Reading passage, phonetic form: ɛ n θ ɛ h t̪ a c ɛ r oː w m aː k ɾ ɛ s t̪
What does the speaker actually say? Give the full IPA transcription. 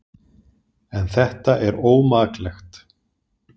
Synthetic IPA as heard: ɛ n θ ɛ h t̪ a ʔ ɛ ɾ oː w m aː k l ɛ x t̪